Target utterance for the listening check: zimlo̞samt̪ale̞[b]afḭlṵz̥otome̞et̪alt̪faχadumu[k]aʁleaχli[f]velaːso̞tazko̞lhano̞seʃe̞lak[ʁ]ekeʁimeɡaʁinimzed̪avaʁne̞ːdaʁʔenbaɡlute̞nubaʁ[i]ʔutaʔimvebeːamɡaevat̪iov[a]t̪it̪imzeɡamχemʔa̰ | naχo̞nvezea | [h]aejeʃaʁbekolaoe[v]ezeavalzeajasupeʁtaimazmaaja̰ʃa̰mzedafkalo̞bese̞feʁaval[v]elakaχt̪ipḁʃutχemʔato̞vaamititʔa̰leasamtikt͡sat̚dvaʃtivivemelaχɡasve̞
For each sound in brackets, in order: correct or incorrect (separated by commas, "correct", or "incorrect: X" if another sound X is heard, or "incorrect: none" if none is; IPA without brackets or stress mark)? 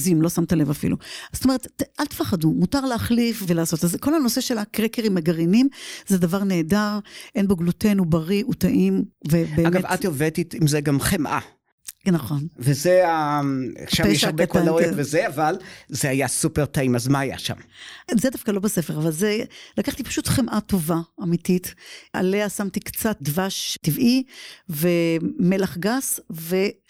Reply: incorrect: v, incorrect: t, correct, correct, correct, incorrect: e, incorrect: ʃ, correct, incorrect: z